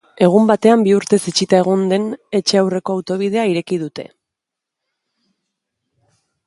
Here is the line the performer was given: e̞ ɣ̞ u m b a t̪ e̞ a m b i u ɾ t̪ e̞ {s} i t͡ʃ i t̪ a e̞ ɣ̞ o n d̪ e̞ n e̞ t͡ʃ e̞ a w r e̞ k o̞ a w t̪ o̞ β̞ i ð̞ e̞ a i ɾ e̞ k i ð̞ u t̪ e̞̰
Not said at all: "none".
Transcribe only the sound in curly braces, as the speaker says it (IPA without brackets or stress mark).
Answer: s